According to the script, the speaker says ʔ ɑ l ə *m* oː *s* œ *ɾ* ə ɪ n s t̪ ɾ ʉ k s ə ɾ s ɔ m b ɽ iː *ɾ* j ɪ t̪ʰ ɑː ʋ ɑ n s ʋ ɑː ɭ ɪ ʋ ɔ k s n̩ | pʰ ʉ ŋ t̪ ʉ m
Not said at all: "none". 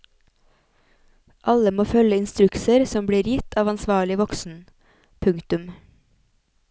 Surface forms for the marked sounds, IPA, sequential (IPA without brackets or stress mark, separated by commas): m, f, l, ɾ